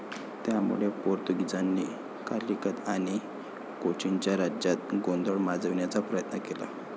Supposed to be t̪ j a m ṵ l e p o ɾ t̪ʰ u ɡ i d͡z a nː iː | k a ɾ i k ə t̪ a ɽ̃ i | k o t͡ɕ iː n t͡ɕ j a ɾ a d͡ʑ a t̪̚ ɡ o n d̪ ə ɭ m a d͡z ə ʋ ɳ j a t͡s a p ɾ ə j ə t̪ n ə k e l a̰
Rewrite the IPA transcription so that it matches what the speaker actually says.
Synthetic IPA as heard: t̪ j a m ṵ ɭ e p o ɾ t̪ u ɡ i d͡z a nː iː | k a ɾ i k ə t̪ a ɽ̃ i | k o t͡ɕ i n t͡ɕ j a ɾ a d͡ʑ a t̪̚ ɡ o n d̪ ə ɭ m a d͡z ə ʋ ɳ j a t͡s a p ɾ ə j ə t̪ n ə k e l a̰